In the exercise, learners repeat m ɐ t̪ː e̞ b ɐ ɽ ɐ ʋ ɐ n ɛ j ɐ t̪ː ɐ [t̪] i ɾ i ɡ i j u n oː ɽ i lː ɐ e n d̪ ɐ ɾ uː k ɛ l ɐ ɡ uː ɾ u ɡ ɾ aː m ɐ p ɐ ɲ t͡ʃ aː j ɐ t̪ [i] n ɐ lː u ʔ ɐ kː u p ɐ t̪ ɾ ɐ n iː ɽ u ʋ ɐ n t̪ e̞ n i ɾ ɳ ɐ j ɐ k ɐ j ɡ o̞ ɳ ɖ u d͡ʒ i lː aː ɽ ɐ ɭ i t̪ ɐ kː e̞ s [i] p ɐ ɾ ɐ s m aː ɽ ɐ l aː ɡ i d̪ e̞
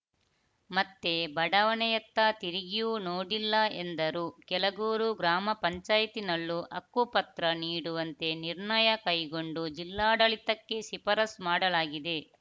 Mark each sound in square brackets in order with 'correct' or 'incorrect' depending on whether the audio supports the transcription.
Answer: correct, correct, correct

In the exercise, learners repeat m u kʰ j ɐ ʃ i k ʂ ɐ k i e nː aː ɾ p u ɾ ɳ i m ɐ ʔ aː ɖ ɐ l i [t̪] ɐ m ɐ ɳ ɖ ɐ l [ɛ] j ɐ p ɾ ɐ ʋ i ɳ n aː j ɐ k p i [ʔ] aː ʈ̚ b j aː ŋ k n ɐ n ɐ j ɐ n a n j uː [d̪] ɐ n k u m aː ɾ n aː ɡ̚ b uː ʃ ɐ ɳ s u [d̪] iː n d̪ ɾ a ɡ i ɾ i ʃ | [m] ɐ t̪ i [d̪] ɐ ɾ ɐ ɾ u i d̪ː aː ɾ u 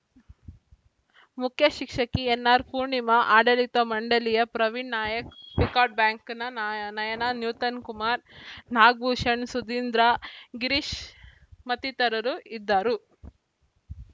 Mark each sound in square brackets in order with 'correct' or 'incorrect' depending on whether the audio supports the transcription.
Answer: correct, incorrect: i, incorrect: k, incorrect: t̪, correct, correct, incorrect: t̪

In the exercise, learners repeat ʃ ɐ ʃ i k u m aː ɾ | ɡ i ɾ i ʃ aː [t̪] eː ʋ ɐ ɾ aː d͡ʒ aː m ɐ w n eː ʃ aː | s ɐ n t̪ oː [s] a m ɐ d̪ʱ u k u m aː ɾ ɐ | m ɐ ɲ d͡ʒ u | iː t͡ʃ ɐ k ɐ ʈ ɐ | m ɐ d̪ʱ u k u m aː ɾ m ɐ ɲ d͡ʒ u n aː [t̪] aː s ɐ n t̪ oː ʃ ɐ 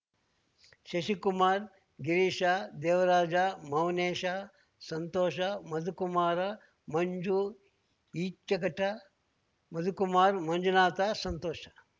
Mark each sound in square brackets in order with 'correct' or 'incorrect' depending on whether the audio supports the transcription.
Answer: incorrect: d̪, incorrect: ʃ, correct

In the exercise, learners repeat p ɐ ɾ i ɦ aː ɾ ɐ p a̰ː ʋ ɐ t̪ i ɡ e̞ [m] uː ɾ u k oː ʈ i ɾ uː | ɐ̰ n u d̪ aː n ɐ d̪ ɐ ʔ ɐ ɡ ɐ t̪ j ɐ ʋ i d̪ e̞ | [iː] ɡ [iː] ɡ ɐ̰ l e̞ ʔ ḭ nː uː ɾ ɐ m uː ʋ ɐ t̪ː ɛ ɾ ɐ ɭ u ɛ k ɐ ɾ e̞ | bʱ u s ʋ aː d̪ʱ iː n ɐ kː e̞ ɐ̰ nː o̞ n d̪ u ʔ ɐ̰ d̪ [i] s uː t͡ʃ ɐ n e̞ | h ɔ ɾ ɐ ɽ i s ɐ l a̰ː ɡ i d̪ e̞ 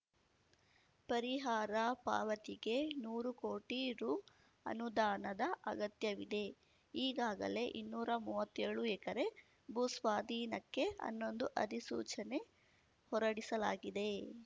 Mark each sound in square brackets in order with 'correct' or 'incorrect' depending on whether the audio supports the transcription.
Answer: incorrect: n, correct, incorrect: aː, correct

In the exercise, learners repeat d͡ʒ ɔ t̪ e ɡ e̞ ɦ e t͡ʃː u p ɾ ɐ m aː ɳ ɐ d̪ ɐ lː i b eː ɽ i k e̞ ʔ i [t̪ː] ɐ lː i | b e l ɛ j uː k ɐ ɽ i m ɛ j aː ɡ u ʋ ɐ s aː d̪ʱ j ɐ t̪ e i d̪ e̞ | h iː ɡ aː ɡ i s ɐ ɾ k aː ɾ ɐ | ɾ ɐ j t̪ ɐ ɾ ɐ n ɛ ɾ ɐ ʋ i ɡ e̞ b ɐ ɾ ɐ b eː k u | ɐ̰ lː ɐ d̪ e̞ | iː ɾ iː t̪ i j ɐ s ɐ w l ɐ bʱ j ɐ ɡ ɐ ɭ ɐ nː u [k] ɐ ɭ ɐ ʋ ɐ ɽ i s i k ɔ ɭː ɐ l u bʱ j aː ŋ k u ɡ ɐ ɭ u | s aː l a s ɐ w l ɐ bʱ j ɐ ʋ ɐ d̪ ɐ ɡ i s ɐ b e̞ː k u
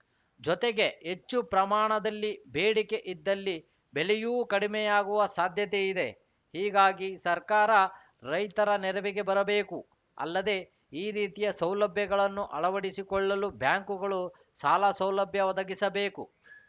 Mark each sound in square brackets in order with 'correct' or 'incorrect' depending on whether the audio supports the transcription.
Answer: incorrect: d̪ː, incorrect: ʔ

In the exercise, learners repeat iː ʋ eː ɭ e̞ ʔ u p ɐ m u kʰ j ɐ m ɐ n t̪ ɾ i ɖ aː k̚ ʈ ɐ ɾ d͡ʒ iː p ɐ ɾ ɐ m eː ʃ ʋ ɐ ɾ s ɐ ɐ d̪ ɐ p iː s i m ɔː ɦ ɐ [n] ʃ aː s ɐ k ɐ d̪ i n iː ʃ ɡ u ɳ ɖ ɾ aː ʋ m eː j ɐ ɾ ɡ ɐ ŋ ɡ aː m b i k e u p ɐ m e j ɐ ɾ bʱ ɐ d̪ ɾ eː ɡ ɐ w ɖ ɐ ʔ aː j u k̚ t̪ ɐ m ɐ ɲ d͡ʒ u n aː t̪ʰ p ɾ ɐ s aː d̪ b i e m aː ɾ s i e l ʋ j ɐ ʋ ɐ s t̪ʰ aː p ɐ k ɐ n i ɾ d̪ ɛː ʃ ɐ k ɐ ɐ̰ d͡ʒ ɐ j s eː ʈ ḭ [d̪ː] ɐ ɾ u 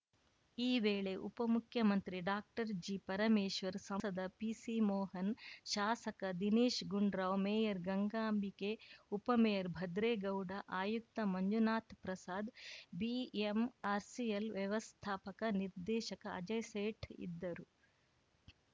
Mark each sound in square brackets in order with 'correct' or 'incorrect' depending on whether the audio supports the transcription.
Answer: correct, correct

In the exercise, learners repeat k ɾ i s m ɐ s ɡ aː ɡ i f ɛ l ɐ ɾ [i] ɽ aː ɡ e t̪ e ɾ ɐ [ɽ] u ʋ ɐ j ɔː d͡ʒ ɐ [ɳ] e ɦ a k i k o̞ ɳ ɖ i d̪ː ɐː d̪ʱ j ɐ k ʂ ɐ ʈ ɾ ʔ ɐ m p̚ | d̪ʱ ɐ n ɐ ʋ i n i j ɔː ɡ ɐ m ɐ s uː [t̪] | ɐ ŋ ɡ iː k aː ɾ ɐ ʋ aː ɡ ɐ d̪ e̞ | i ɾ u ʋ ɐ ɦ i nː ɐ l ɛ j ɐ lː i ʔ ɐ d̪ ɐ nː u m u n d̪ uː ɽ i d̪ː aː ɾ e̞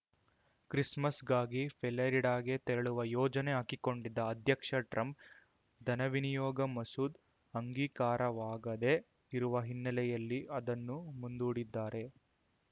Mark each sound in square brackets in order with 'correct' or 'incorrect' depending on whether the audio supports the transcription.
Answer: correct, incorrect: ɭ, incorrect: n, incorrect: d̪

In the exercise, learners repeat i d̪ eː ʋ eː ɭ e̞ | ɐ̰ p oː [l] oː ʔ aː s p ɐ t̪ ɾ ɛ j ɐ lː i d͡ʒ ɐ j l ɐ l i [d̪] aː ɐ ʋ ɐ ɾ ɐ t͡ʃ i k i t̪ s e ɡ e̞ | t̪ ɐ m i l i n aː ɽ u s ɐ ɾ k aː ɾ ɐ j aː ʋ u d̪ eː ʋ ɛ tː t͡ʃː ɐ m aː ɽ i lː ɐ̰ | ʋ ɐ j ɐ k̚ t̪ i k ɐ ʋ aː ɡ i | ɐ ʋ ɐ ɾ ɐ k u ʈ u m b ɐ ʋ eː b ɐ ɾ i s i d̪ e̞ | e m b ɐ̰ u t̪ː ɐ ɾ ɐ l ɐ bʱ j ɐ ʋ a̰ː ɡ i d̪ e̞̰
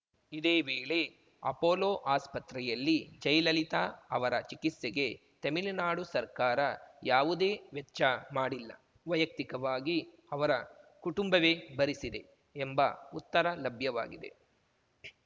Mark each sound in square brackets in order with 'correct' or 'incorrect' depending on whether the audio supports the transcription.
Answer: correct, incorrect: t̪

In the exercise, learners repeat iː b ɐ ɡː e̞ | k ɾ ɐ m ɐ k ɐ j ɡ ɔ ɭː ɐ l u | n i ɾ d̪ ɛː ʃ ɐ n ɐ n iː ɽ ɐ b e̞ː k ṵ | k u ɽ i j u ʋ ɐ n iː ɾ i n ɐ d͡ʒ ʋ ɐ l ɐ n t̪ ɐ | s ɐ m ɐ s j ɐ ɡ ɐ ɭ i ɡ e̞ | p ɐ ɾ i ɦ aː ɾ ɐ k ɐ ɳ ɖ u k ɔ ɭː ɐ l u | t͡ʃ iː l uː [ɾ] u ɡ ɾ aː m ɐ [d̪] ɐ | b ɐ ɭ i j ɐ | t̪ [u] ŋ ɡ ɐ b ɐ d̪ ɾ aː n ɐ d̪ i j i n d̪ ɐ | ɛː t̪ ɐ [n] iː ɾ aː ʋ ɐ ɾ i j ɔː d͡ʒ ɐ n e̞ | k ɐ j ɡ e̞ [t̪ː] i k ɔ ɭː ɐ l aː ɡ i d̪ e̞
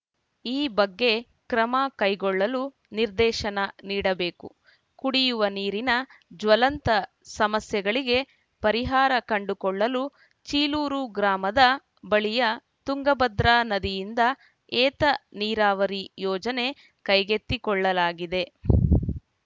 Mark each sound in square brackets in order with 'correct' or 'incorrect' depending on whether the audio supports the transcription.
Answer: correct, correct, correct, correct, correct

